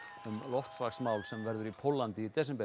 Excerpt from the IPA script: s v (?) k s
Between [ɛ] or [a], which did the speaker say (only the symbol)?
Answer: a